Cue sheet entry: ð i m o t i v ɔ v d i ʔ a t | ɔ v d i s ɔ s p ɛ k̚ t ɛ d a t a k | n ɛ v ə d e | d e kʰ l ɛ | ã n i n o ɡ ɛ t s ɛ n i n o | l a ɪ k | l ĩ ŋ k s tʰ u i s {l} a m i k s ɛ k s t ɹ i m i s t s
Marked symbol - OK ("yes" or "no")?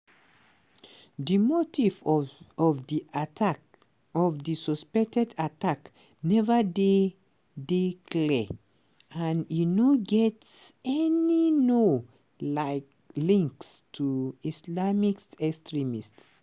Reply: yes